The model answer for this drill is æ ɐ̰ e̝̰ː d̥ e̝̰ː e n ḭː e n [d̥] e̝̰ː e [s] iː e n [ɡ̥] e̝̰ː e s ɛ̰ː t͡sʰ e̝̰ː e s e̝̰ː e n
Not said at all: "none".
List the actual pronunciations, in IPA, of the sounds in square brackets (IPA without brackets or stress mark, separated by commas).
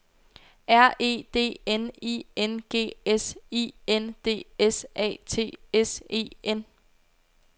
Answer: ɡ̥, s, d̥